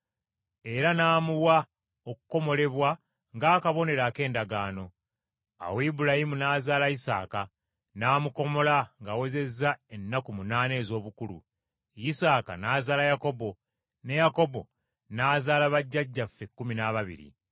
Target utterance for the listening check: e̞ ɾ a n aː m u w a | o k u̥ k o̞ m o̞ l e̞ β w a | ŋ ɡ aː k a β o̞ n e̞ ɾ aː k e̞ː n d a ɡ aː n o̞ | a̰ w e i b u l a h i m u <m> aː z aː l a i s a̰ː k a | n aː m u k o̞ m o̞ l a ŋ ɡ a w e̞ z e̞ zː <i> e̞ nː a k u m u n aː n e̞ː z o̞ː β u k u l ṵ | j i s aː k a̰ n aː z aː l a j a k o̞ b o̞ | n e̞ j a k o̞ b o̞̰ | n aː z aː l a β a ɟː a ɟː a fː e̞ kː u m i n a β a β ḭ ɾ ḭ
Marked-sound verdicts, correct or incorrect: incorrect: n, incorrect: a

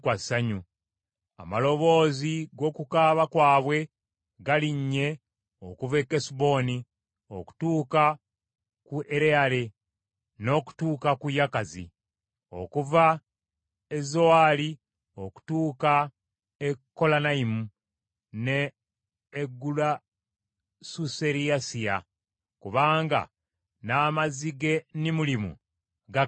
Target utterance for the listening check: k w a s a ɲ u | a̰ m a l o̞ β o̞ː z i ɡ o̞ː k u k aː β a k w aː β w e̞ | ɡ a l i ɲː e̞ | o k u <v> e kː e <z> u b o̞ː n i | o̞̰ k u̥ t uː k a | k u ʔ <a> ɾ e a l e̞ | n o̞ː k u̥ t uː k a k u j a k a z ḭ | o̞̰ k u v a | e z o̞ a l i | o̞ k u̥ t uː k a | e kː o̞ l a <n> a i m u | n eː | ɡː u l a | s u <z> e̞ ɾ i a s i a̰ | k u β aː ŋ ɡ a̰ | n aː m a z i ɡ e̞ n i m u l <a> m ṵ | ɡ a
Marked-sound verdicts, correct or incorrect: correct, incorrect: s, incorrect: e, correct, incorrect: s, incorrect: i

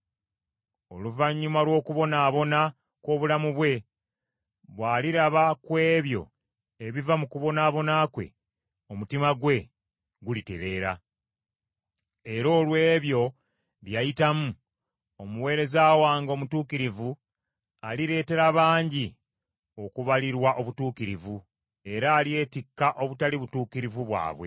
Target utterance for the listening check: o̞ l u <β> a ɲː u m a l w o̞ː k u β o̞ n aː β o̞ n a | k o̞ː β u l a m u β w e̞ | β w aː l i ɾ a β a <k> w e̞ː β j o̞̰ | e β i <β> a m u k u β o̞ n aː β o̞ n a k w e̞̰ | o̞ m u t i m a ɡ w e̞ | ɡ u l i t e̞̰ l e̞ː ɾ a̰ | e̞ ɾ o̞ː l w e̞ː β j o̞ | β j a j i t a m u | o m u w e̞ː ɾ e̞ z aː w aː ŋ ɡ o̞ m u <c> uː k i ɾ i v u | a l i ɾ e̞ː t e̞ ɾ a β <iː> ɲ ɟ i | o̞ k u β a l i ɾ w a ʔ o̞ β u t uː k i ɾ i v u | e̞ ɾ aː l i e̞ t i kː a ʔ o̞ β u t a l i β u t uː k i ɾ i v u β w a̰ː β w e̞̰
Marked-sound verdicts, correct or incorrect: incorrect: v, correct, incorrect: v, incorrect: t, incorrect: aː

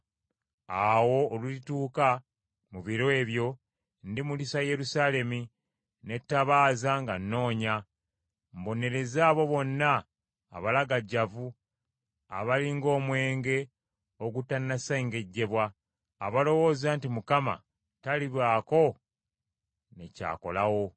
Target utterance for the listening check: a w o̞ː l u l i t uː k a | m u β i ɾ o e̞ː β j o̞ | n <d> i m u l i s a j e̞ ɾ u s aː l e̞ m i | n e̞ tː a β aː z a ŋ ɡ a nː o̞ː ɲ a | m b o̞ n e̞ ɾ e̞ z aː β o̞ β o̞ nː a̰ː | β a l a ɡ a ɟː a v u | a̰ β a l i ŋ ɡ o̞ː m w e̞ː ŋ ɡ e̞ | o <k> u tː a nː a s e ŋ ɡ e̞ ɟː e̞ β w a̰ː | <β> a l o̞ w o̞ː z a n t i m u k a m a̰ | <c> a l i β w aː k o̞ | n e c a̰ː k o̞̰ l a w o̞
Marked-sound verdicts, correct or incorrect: correct, incorrect: ɡ, correct, incorrect: t

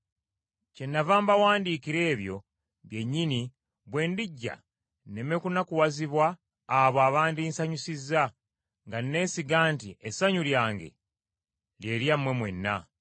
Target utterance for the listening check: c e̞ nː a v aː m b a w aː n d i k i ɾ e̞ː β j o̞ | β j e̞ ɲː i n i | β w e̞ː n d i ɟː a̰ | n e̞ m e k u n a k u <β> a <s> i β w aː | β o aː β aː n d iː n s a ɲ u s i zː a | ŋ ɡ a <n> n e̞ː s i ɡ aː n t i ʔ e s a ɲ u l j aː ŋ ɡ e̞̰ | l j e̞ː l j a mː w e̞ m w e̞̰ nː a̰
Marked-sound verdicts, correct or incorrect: incorrect: w, incorrect: z, correct

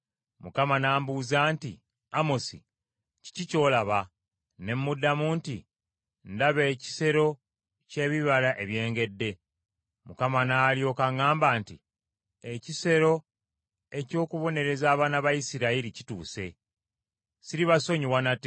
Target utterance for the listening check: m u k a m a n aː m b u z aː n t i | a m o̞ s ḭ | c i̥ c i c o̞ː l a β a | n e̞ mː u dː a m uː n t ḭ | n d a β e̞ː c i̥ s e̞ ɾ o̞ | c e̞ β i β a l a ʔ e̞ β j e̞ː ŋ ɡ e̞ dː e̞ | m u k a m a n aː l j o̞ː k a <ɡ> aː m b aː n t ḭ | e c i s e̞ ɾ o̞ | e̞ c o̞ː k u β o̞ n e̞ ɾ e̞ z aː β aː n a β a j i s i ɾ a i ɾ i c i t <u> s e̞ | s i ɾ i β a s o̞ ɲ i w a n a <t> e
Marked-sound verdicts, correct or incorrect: incorrect: ŋ, incorrect: uː, correct

